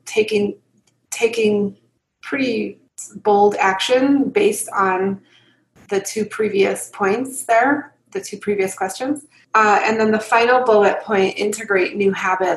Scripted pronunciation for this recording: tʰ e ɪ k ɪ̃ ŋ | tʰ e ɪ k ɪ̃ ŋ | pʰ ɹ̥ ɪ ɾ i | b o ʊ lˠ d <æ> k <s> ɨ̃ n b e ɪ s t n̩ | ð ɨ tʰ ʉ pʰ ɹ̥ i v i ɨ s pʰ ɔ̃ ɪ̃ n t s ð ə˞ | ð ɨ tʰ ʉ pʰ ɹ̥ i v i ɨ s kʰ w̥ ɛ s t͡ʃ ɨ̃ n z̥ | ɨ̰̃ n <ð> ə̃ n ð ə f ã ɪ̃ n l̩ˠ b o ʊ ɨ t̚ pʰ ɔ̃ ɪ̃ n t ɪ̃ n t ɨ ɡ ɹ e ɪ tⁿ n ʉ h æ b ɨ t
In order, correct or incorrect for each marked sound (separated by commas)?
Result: correct, incorrect, correct